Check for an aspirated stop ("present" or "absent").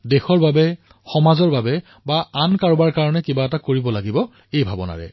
absent